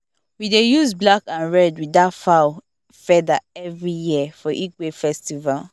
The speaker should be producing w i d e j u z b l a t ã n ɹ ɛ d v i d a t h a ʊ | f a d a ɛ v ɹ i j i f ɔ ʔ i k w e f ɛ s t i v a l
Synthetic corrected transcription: w i d e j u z b l a k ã n ɹ ɛ d w i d a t f a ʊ | f ɛ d a ɛ v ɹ i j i f ɔ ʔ i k w e f ɛ s t i v a l